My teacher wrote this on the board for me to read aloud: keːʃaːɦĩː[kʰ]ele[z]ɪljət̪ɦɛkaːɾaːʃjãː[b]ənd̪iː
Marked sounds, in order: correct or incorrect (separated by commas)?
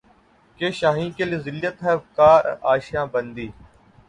incorrect, correct, correct